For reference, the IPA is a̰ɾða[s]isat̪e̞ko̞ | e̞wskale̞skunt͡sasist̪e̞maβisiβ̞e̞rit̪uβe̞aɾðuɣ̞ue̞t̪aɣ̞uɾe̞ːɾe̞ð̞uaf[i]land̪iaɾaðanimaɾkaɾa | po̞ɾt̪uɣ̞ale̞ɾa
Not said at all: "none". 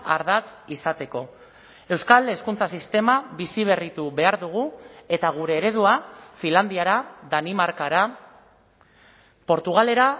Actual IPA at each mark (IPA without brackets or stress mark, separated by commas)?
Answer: t͡s, i